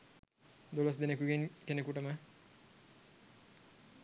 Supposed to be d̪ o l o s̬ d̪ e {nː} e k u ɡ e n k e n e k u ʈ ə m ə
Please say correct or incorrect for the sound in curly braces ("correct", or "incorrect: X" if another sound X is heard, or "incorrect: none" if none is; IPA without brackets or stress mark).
incorrect: n